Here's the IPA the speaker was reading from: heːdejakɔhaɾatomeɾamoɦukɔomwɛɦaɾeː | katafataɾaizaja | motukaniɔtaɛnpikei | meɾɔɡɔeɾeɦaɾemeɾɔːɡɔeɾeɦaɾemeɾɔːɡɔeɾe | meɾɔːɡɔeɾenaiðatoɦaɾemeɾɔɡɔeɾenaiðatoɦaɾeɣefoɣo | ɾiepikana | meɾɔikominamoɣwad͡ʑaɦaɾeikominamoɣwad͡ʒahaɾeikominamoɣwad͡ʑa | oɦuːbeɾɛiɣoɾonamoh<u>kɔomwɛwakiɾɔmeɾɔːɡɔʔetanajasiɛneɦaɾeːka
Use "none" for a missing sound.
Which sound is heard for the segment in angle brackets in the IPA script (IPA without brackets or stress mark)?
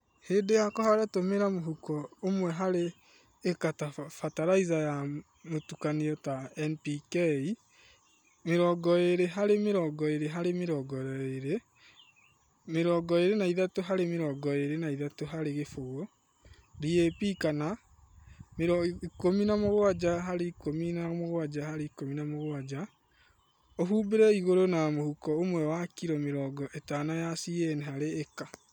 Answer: u